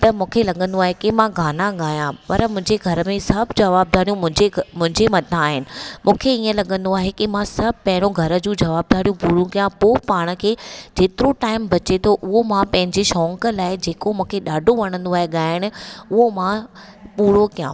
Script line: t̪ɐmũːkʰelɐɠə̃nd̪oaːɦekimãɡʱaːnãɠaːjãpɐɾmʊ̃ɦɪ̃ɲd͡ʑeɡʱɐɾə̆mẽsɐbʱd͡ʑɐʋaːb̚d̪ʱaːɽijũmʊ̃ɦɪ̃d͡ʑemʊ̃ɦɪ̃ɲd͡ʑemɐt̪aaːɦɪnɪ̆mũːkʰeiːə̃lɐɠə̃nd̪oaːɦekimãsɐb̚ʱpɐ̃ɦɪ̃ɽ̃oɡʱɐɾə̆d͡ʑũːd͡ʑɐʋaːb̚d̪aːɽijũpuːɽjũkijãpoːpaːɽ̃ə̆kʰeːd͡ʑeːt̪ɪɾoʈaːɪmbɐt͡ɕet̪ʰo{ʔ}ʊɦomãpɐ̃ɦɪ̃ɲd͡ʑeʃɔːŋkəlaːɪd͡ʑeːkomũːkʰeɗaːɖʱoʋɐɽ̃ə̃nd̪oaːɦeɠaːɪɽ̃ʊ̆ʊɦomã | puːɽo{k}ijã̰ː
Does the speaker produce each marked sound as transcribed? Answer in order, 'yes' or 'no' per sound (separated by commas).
yes, yes